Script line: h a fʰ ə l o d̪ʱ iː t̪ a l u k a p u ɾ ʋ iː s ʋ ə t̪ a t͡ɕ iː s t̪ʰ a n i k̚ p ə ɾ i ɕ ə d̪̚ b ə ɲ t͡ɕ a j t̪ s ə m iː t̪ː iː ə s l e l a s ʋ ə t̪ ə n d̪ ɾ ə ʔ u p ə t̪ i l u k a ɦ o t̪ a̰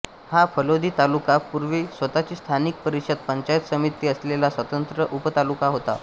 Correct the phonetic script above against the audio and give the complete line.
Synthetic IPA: h a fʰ ə l o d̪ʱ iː t̪ a l u k a p u ɾ ʋ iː s ʋ ə t̪ a t͡ɕ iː s t̪ʰ a n i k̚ p ə ɾ i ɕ ə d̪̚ p ə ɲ t͡ɕ a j t̪ s ə m i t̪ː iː ə s l e l a s ʋ ə t̪ ə n t̪ ɾ ə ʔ u p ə t̪ a l u k a ɦ o t̪ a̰